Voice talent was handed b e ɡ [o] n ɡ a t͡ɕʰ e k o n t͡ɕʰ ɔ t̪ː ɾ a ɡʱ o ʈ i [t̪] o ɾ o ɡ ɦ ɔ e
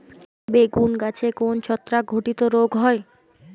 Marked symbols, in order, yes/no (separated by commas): no, yes